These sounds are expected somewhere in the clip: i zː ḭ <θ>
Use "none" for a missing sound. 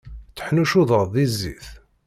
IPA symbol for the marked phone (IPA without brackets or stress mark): θ